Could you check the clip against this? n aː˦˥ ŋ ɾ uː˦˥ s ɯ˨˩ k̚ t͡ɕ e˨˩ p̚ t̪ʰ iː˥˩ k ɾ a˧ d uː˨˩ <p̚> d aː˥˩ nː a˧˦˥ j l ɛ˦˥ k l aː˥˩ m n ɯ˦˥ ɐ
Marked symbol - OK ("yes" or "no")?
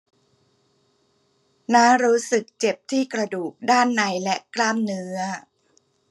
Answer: no